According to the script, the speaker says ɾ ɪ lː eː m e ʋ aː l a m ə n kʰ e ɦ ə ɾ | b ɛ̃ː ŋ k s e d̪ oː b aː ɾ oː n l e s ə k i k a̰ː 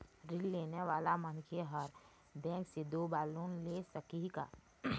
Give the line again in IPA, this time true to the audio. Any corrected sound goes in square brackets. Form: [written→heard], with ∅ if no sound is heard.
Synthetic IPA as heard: ɾ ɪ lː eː [m→n] e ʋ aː l a m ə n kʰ e ɦ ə ɾ | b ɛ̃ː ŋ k s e d̪ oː b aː [ɾ→l] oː n l e s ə k i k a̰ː

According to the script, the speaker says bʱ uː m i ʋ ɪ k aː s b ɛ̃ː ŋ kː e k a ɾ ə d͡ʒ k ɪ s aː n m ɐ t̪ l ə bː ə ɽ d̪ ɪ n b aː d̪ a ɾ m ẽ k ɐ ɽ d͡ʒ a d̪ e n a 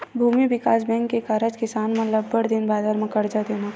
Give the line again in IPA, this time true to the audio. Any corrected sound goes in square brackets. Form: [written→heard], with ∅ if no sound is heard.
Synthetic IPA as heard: bʱ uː m i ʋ ɪ k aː s b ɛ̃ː ŋ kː e k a ɾ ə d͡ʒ k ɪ s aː n m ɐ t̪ l ə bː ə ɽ d̪ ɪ n b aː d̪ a ɾ m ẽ k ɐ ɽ d͡ʒ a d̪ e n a

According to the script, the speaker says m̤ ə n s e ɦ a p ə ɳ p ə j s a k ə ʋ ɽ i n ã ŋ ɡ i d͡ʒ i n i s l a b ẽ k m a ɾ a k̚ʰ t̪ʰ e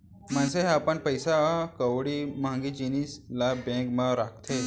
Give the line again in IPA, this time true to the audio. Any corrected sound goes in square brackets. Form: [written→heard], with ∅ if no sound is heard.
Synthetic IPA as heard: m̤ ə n s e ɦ a p ə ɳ p ə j s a k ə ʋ ɽ i [n→m] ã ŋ ɡ i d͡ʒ i n i s l a b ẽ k m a ɾ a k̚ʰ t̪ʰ e

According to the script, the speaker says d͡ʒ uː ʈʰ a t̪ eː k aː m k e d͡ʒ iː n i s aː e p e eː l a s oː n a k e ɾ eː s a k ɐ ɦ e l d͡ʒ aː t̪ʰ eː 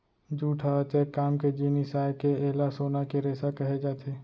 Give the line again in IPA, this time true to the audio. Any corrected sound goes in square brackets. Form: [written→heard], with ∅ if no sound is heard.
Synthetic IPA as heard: d͡ʒ uː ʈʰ a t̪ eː k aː m k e d͡ʒ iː n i s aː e [p→k] e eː l a s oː n a k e ɾ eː s a k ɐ ɦ e [l→∅] d͡ʒ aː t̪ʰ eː

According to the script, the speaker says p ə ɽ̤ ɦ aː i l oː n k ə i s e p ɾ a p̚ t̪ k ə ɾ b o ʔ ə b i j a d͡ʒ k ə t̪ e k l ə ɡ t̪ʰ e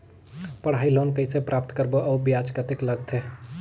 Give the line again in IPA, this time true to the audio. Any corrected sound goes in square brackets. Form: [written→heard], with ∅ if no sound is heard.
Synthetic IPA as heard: p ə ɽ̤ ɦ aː i l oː n k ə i s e p ɾ a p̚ t̪ k ə ɾ b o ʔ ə b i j a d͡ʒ k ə t̪ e k l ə ɡ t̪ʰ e

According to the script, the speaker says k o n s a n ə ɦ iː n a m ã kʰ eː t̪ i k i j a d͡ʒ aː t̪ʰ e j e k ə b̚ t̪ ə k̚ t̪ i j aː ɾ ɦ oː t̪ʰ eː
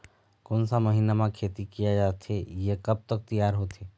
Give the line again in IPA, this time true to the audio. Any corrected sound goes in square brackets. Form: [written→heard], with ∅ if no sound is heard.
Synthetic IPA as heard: k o n s a [n→m] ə ɦ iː n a m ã kʰ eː t̪ i k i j a d͡ʒ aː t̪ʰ e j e k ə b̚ t̪ ə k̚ t̪ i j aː ɾ ɦ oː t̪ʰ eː

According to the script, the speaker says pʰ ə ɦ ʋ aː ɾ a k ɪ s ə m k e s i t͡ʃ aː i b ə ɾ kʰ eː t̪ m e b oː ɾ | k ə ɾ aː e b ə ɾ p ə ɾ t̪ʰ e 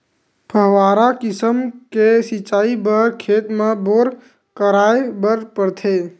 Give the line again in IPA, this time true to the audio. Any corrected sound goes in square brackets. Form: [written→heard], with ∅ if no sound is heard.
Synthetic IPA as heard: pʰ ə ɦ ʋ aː ɾ a k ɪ s ə m k e s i t͡ʃ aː i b ə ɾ kʰ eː t̪ m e b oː ɾ | k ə ɾ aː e b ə ɾ p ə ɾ t̪ʰ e

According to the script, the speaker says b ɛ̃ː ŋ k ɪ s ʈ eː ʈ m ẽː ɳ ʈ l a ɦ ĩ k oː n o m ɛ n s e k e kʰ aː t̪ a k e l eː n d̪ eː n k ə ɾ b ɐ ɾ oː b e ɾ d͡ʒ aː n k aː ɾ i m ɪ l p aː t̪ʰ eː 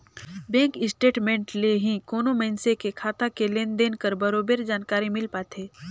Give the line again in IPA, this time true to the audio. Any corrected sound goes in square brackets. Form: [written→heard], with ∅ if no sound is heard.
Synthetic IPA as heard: b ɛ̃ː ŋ k ɪ s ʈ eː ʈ m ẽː ɳ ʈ l [a→e] ɦ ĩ k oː n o m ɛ n s e k e kʰ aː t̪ a k e l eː n d̪ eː n k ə ɾ b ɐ ɾ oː b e ɾ d͡ʒ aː n k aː ɾ i m ɪ l p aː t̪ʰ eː

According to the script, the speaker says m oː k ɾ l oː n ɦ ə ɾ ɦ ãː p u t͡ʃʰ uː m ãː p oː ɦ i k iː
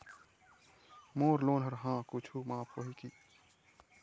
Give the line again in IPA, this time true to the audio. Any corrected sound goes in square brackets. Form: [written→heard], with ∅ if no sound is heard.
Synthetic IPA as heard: m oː [k→∅] ɾ l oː n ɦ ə ɾ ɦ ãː [p→k] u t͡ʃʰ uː m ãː p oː ɦ i k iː

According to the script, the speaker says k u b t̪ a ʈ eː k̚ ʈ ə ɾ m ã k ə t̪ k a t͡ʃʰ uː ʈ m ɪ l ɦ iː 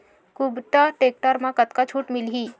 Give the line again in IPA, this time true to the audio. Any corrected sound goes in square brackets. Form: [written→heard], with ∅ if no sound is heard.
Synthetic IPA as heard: k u b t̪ a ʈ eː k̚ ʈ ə ɾ m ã k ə t̪ k a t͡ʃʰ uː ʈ m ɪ l ɦ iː

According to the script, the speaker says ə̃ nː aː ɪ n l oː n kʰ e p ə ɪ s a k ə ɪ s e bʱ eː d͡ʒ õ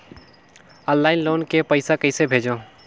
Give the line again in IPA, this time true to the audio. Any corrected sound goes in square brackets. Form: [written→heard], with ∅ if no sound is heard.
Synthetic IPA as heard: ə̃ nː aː ɪ n l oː n [kʰ→k] e p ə ɪ s a k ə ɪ s e bʱ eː d͡ʒ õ

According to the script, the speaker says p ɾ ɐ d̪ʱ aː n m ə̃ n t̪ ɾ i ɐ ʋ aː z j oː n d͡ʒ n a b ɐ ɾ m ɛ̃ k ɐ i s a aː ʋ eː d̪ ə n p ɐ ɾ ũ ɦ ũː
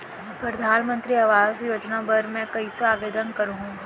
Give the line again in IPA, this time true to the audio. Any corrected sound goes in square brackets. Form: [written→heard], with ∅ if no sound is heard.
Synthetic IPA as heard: p ɾ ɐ d̪ʱ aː n m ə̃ n t̪ ɾ i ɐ ʋ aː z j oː [n→∅] d͡ʒ n a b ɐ ɾ m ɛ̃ k ɐ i s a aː ʋ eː d̪ ə n [p→k] ɐ ɾ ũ ɦ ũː

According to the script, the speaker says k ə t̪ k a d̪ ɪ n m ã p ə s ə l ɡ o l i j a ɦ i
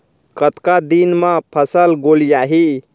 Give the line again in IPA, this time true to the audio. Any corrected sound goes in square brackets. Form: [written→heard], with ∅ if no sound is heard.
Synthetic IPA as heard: k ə t̪ k a d̪ [ɪ→i] n m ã [p→pʰ] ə s ə l ɡ o l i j a ɦ i

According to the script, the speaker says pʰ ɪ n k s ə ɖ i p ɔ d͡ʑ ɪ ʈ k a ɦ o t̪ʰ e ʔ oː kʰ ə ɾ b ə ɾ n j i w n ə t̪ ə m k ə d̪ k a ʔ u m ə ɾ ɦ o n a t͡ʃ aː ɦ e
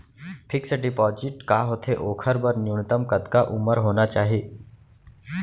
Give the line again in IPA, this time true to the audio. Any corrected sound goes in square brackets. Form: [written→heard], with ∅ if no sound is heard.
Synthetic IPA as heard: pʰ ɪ [n→∅] k s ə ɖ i p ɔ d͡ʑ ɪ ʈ k a ɦ o t̪ʰ e ʔ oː kʰ ə ɾ b ə ɾ n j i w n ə t̪ ə m k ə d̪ k a ʔ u m ə ɾ ɦ o n a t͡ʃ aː ɦ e

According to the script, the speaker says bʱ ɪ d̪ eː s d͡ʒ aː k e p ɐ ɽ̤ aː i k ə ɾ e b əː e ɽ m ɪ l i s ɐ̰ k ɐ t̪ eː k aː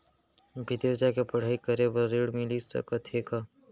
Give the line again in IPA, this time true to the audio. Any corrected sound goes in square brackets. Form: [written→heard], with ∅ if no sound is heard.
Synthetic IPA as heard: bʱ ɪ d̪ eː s d͡ʒ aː k e p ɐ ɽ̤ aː i k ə ɾ e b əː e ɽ m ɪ l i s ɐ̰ k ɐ [t̪→t̪ʰ] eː k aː

